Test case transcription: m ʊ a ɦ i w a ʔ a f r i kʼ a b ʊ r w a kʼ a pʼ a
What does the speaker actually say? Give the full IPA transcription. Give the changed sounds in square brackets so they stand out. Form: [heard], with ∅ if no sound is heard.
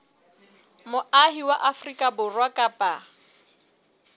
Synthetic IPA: m ʊ a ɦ i w a ʔ a f r i kʼ a b ʊ r w a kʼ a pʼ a